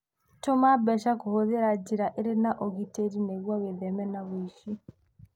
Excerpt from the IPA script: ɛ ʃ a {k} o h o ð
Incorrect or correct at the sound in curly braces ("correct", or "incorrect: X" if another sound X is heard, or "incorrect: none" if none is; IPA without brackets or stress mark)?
correct